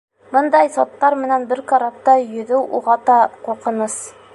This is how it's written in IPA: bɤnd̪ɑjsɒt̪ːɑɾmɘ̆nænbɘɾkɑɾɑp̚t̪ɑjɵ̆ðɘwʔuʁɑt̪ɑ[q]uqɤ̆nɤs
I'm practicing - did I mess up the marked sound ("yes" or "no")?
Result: no